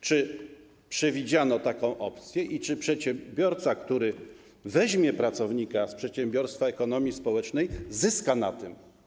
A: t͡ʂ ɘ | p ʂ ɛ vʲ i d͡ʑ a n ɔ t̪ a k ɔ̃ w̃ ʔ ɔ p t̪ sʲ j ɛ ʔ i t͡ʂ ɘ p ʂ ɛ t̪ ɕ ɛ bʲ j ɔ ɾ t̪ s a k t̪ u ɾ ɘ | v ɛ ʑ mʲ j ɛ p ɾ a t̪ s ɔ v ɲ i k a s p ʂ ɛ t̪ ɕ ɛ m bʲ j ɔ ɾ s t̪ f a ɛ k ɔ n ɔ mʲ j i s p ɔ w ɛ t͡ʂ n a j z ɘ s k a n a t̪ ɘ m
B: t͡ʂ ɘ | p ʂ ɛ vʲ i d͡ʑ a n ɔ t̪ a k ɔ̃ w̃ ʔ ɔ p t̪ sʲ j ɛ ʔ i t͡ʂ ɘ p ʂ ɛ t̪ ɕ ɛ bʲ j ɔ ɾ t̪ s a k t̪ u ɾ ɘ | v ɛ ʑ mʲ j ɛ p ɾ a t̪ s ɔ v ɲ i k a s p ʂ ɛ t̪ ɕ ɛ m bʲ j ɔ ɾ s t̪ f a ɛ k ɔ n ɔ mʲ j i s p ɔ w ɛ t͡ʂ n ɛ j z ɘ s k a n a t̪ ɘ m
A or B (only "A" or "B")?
B